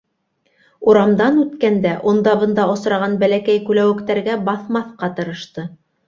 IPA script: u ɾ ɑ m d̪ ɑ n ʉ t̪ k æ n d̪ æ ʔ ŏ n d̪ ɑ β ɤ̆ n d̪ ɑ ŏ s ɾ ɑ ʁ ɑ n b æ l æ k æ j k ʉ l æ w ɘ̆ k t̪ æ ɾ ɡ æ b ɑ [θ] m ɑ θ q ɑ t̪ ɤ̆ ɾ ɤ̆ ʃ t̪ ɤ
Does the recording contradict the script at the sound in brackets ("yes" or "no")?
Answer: no